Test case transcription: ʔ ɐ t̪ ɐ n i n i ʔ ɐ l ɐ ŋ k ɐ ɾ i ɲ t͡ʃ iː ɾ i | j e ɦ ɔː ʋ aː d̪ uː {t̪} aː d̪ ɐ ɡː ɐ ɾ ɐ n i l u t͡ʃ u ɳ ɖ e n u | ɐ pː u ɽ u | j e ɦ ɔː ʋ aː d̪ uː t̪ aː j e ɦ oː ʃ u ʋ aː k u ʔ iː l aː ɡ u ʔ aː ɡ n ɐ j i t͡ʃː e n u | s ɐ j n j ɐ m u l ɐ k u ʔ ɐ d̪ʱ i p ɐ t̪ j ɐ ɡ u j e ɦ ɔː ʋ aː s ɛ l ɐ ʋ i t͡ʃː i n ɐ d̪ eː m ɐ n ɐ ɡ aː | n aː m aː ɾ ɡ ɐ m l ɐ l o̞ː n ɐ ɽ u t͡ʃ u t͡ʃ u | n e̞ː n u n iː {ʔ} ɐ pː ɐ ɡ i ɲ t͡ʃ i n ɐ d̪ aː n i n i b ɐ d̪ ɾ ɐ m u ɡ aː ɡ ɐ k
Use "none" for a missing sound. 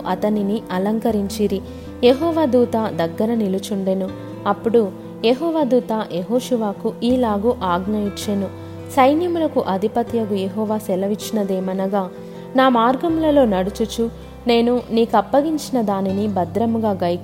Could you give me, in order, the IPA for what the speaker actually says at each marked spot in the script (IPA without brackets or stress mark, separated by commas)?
t̪, k